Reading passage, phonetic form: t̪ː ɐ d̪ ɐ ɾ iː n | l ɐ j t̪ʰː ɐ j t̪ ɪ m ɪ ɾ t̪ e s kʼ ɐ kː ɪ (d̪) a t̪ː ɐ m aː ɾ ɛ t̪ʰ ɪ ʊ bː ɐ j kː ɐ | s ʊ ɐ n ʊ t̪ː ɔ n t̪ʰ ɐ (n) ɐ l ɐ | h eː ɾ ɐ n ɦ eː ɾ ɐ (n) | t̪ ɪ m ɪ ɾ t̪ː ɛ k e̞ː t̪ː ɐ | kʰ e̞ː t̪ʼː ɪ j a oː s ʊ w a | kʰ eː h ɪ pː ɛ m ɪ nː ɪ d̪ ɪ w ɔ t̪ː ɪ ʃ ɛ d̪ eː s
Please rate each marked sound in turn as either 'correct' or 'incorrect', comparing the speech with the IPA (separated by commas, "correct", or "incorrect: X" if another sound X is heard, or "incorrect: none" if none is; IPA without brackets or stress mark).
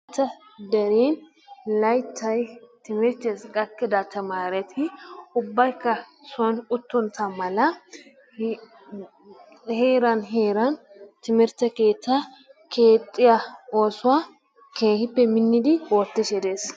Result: correct, incorrect: m, correct